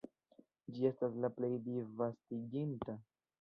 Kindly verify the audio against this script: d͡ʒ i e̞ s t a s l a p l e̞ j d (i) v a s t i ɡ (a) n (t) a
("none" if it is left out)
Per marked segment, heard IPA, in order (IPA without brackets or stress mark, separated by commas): i, i, t